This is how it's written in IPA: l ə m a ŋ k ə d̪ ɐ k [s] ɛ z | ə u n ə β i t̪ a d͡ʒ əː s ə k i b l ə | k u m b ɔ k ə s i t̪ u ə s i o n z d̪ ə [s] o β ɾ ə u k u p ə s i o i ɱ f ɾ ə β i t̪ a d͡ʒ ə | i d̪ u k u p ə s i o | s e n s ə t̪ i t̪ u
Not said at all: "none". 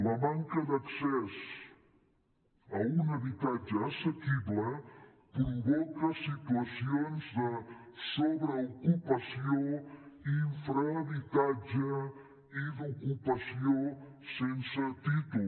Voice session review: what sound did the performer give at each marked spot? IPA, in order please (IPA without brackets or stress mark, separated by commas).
s, s